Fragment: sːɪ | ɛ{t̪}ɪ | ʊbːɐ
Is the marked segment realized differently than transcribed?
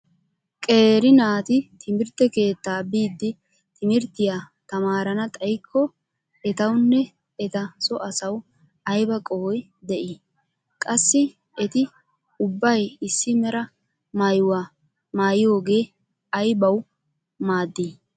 no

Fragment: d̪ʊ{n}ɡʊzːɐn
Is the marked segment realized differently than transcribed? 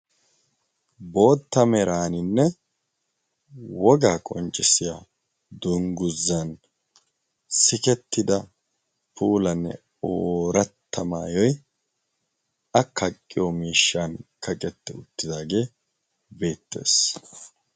yes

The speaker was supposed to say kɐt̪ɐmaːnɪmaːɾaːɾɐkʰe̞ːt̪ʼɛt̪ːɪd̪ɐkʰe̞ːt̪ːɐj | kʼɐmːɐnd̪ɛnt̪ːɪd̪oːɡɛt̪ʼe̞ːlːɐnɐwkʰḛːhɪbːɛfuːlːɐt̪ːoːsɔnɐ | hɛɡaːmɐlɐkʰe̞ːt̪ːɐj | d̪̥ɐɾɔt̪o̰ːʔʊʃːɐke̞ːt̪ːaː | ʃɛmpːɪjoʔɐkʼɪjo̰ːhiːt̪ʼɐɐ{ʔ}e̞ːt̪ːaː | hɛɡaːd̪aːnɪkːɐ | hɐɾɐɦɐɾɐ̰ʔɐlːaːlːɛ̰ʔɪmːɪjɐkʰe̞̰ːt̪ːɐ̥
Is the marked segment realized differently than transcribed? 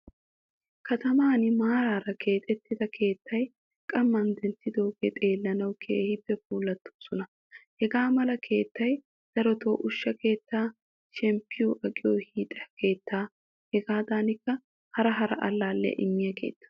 yes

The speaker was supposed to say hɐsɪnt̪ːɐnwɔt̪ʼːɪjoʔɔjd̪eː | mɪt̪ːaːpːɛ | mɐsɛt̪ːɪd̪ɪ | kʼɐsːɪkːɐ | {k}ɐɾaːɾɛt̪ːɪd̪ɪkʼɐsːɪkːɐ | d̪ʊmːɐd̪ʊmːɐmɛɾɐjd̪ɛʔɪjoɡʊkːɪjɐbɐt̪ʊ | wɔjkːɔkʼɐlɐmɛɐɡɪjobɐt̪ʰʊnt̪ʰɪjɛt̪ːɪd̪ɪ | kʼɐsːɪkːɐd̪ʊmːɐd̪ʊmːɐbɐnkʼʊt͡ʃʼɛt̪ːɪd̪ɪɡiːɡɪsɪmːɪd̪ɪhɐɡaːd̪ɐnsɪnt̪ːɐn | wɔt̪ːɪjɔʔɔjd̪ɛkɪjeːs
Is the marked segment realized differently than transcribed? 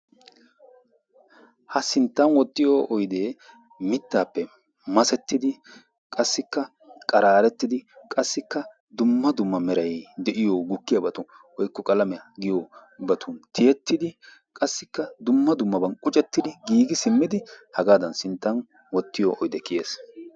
yes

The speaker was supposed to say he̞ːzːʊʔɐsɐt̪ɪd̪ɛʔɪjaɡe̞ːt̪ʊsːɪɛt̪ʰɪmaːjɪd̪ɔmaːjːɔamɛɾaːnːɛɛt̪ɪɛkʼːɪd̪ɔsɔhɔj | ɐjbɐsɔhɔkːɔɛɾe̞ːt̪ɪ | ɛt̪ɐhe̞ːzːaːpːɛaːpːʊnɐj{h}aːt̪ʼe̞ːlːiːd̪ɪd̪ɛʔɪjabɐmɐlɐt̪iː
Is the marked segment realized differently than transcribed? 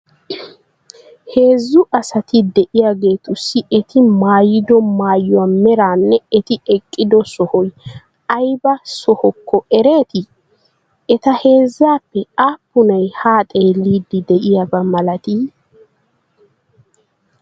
no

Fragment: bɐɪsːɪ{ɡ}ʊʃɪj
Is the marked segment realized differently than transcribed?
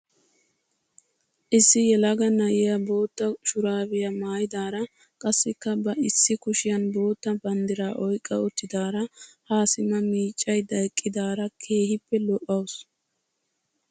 yes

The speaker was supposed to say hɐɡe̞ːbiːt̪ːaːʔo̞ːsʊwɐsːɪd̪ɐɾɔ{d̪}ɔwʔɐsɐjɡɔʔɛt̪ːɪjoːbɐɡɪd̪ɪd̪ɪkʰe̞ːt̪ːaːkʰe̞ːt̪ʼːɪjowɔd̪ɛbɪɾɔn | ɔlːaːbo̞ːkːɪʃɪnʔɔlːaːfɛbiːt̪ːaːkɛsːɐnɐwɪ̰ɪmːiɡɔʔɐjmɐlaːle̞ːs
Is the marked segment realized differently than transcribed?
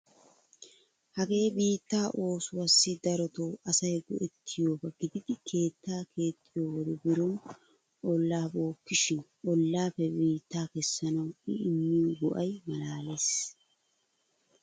yes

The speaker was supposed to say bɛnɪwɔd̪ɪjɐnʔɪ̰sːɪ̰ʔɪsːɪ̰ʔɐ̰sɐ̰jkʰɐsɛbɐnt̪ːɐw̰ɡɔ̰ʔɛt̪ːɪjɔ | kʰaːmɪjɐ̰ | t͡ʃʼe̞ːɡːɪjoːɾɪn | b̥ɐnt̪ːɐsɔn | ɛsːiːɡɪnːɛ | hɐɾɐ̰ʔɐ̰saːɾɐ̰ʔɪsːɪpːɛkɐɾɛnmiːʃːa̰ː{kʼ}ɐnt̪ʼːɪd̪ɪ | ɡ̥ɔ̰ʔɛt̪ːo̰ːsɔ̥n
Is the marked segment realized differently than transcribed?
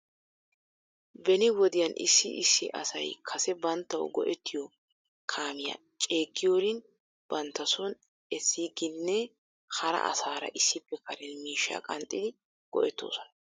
no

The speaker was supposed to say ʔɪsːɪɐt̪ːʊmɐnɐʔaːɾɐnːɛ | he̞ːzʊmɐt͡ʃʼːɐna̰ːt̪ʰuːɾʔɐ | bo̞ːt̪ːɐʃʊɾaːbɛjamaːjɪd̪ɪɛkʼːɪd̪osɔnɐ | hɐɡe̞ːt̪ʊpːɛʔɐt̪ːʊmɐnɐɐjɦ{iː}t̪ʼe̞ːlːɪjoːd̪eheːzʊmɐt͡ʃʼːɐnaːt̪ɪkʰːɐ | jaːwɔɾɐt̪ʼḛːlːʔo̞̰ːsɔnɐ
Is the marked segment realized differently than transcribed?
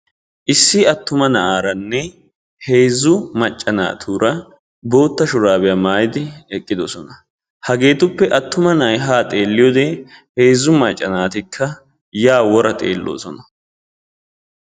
yes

